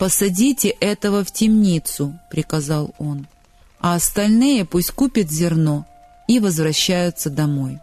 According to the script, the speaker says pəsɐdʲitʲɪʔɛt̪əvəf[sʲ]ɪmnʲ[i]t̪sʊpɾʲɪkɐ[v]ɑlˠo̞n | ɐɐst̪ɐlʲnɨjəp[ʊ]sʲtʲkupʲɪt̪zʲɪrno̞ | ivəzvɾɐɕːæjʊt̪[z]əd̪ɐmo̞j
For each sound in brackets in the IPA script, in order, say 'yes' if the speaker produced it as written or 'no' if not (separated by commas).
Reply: no, yes, no, no, no